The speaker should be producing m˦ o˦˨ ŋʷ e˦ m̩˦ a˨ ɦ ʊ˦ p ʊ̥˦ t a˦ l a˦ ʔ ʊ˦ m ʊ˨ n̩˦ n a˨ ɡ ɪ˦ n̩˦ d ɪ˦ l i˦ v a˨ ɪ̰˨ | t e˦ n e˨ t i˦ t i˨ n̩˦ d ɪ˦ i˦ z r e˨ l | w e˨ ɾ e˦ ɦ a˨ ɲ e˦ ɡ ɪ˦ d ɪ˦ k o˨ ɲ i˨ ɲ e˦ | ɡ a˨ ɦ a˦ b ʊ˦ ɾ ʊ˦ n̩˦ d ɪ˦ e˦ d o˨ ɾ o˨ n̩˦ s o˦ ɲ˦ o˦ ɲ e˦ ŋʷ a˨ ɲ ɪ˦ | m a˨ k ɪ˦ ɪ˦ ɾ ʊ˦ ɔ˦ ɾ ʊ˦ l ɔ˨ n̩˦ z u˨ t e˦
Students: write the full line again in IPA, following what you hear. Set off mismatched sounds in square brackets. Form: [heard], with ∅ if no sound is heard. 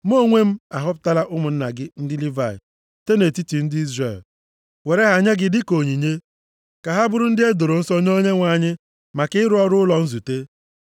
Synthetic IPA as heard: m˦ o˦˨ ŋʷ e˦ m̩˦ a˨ ɦ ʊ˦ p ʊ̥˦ t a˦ l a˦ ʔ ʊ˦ m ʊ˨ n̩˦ n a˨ ɡ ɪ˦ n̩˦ d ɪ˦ l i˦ v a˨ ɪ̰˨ | t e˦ n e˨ t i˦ t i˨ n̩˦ d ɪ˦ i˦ z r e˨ l | w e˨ ɾ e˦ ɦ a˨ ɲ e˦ ɡ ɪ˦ d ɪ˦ k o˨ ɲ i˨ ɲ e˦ | [k] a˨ ɦ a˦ b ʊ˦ ɾ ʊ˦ n̩˦ d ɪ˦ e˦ d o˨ ɾ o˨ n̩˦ s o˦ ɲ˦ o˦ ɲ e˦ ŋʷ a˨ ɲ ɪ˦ | m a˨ k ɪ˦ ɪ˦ ɾ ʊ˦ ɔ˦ ɾ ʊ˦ l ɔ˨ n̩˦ z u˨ t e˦